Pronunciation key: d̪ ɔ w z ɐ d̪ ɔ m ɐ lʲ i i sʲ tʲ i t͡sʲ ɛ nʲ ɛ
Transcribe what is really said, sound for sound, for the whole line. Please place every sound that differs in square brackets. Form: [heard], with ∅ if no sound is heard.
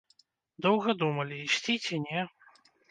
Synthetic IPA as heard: d̪ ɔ w [ɣ] ɐ d̪ [u] m ɐ lʲ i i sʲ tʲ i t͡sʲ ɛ nʲ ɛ